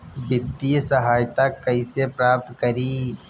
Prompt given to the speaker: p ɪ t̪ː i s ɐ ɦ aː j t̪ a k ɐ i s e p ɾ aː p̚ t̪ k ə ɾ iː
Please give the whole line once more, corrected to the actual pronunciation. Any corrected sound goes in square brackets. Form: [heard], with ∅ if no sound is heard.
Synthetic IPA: [b] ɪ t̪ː i s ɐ ɦ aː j t̪ a k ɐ i s e p ɾ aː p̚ t̪ k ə ɾ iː